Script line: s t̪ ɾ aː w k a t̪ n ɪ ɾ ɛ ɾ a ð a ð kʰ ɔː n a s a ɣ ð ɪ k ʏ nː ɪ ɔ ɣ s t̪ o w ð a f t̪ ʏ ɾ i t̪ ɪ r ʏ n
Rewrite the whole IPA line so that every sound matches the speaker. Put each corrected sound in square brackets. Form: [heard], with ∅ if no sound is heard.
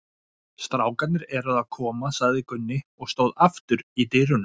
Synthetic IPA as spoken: s t̪ ɾ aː w k a t̪ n ɪ ɾ ɛ ɾ a ð a ð kʰ ɔː [m] a s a ɣ ð ɪ k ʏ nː ɪ ɔ ɣ s t̪ o w ð a f t̪ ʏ ɾ i t̪ ɪ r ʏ n